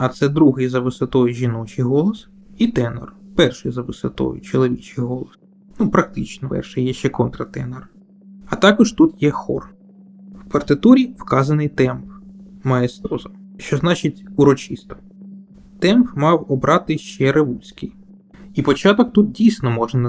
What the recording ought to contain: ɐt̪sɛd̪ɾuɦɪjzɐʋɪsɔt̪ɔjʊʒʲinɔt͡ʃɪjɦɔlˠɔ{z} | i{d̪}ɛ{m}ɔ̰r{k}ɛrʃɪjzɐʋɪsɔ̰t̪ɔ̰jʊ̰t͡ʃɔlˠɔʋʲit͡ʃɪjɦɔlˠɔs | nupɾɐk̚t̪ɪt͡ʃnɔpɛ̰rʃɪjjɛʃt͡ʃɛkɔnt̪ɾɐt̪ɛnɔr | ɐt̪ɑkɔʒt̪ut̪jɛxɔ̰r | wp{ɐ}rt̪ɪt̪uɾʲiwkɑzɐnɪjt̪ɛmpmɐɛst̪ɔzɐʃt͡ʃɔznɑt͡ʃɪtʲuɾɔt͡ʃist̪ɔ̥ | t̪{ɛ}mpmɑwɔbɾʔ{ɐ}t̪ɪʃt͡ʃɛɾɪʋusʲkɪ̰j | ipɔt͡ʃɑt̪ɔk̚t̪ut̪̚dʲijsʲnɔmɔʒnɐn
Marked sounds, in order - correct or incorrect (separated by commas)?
incorrect, incorrect, incorrect, incorrect, correct, correct, incorrect